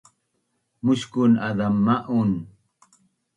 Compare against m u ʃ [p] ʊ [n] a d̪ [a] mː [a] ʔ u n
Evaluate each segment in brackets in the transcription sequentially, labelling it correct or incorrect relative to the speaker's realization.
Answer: incorrect: k, correct, correct, correct

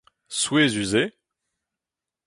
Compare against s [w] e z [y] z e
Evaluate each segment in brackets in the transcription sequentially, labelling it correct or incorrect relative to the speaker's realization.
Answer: correct, correct

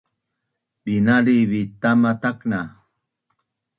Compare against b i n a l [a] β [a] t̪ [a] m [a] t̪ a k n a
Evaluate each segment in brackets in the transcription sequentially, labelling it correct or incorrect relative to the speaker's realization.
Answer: incorrect: i, incorrect: i, correct, correct

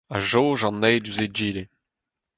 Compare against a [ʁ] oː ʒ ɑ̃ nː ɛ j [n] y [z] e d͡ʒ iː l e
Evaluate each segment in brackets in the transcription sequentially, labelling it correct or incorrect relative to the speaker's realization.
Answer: incorrect: ʒ, incorrect: d, correct

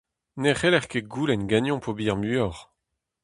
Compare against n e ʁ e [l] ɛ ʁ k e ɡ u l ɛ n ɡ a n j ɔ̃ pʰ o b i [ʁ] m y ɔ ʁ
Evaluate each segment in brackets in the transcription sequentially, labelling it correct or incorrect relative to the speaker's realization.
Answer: correct, correct

